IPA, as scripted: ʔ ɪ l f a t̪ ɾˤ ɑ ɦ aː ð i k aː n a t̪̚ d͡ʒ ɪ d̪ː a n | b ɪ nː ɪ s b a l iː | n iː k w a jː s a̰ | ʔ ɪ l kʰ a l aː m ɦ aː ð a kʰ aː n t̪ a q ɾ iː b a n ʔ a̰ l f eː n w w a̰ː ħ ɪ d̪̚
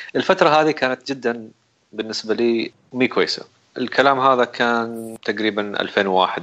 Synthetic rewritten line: ʔ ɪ l f a t̪ ɾˤ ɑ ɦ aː ð i k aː n a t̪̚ d͡ʒ ɪ d̪ː a n | b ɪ nː ɪ s b a l iː | m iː k w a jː s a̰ | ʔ ɪ l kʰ a l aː m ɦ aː ð a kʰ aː n t̪ a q ɾ iː b a n ʔ a̰ l f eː n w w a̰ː ħ ɪ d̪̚